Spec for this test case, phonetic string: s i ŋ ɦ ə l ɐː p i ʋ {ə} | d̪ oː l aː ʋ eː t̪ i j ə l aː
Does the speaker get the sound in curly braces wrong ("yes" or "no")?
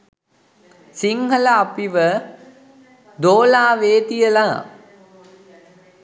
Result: no